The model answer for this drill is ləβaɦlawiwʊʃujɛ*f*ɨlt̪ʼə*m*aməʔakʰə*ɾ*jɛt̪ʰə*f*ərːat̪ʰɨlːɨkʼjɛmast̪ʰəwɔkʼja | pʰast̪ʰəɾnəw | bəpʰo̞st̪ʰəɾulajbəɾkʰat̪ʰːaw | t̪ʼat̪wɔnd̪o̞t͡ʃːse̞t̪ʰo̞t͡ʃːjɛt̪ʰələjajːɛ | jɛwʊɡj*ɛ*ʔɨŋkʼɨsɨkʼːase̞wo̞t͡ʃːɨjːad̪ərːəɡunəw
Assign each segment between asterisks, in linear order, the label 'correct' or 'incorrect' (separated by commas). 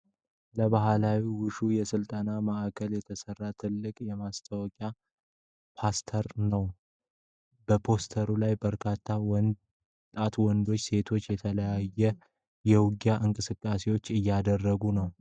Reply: incorrect, incorrect, incorrect, incorrect, incorrect